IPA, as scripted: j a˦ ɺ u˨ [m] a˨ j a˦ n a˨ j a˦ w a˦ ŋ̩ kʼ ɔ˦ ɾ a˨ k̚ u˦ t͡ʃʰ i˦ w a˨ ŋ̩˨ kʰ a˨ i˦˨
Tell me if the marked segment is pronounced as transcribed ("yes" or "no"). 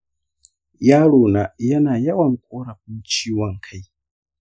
no